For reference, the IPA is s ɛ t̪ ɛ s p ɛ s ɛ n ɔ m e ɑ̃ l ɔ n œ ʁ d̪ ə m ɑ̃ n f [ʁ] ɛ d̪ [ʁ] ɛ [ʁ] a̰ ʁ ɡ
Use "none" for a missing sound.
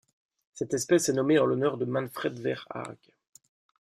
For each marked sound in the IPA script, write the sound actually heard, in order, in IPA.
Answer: χ, v, ʁ

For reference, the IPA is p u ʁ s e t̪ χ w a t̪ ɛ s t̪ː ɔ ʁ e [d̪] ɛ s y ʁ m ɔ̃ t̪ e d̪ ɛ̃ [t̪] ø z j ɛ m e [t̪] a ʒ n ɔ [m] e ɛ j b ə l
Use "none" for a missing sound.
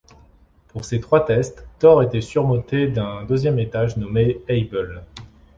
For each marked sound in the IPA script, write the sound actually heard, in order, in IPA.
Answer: t̪, d̪, t̪, m

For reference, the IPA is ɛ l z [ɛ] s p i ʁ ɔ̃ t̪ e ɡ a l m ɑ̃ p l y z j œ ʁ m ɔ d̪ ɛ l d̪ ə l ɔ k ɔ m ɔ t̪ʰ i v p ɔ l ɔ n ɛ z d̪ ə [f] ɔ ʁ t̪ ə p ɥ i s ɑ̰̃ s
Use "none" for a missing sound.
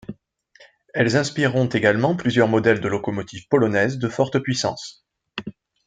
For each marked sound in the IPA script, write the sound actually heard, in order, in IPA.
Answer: ɛ̃, f

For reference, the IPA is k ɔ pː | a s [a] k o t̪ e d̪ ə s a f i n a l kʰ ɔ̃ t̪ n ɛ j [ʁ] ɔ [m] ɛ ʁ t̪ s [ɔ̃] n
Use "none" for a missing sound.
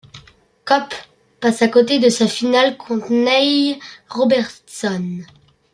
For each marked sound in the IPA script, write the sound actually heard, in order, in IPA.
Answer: a, ʁ, b, ɔ

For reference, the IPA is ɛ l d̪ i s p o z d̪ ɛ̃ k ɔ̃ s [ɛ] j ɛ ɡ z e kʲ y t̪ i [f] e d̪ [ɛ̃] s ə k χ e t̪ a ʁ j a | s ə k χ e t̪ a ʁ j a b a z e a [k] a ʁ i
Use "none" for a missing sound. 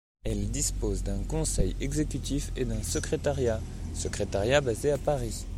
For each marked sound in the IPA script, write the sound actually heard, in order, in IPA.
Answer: ɛ, f, ɛ̃, p

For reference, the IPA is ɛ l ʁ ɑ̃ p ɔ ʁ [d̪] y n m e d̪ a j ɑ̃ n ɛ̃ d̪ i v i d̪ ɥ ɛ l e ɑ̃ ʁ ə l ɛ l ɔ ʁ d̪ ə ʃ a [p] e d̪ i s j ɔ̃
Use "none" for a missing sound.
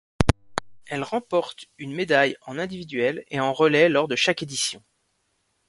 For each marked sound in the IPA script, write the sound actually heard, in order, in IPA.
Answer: t̪, k

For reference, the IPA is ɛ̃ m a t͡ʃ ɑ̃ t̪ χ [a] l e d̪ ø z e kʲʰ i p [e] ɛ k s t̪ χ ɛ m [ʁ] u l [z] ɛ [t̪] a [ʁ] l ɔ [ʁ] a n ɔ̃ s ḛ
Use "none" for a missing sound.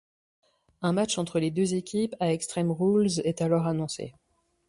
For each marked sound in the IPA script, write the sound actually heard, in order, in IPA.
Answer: ə, a, ʁ, z, t̪, none, ʁ

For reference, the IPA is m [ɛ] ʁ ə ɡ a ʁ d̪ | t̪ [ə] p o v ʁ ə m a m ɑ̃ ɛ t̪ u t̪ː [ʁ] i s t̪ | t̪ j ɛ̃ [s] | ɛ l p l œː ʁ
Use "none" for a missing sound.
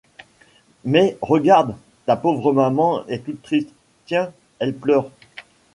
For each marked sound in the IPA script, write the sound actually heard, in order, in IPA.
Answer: ɛ, a, χ, none

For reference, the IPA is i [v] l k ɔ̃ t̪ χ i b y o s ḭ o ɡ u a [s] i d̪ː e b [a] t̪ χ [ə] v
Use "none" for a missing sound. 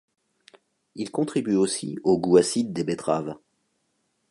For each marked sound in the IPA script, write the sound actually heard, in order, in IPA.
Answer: none, s, e, a

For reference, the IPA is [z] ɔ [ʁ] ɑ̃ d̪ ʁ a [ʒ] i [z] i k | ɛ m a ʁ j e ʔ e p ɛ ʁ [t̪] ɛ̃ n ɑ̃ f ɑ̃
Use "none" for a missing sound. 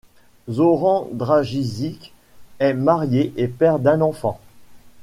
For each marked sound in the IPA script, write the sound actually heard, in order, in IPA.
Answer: z, ʁ, ʒ, z, d̪

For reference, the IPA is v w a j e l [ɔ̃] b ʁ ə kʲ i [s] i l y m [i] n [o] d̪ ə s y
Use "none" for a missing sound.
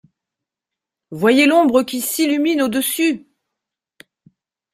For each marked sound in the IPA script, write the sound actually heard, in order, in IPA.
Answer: ɔ̃, s, i, o

